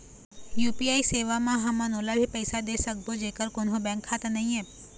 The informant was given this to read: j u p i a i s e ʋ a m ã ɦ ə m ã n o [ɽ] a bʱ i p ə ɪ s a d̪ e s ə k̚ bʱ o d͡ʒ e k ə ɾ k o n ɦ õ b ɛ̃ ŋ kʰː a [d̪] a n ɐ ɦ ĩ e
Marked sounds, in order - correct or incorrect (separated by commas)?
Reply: incorrect, incorrect